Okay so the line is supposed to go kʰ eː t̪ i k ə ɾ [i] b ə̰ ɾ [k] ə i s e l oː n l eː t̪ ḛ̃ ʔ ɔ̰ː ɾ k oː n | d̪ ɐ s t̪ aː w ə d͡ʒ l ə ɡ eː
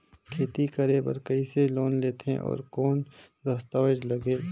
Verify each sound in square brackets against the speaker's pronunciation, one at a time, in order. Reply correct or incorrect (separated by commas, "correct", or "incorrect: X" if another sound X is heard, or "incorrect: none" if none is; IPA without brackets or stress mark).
incorrect: e, correct